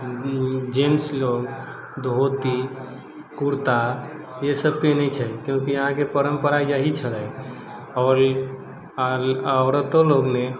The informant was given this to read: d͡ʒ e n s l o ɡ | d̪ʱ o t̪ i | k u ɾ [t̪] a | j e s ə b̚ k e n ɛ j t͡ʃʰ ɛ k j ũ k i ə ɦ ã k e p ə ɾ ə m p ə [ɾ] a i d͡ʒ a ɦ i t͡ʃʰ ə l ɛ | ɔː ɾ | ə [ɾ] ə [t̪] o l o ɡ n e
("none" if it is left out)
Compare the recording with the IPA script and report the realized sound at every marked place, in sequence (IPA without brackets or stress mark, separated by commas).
t̪, ɾ, ɾ, t̪